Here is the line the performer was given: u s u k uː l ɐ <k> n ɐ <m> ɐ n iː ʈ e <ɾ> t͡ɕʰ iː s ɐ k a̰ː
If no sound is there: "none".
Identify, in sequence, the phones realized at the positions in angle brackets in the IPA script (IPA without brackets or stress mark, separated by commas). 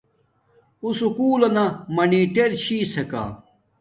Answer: none, m, ɾ